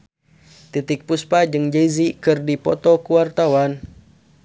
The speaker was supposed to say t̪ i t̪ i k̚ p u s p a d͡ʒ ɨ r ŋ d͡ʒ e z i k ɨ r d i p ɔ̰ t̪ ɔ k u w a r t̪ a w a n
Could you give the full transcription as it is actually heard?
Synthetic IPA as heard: t̪ i t̪ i k̚ p u s p a d͡ʒ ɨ ŋ d͡ʒ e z i k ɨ r d i p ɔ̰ t̪ ɔ k u w a r t̪ a w a n